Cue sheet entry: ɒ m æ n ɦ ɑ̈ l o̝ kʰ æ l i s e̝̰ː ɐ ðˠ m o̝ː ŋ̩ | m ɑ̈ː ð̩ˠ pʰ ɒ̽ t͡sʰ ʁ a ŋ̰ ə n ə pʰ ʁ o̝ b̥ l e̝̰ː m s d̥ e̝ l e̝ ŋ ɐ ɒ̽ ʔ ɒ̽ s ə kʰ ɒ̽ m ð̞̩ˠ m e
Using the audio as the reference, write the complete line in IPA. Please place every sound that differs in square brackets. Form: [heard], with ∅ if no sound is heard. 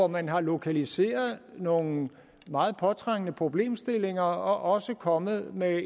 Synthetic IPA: ɒ m æ n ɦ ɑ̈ l o̝ kʰ æ l i s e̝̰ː ɐ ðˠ [n] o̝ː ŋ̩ | m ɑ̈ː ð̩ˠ pʰ ɒ̽ t͡sʰ ʁ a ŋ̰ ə n ə pʰ ʁ o̝ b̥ l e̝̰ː m s d̥ e̝ l e̝ ŋ ɐ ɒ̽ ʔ ɒ̽ s ə kʰ ɒ̽ m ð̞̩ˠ m e